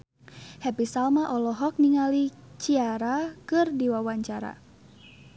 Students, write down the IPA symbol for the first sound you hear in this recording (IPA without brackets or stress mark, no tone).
h